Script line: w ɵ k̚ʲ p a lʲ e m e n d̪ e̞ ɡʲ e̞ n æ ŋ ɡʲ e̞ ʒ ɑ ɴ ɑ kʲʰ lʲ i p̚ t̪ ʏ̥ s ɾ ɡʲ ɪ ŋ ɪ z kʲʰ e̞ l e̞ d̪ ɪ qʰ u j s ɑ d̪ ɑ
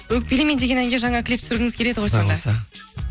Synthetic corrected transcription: w ɵ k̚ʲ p e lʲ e m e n d̪ e̞ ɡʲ e̞ n æ ŋ ɡʲ e̞ ʒ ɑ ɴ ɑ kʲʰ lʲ i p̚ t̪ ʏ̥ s ɾ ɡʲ ɪ ŋ ɪ z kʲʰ e̞ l e̞ d̪ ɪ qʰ o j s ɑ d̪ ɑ